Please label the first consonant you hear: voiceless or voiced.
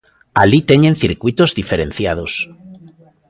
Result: voiced